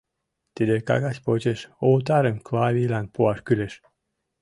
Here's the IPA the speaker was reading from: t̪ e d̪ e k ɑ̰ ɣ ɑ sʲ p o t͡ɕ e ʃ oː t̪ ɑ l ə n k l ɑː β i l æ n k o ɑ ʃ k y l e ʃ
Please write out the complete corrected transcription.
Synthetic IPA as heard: t̪ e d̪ e k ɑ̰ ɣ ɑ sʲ p o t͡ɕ e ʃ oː t̪ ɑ ɾ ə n k l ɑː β i l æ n p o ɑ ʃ k y l e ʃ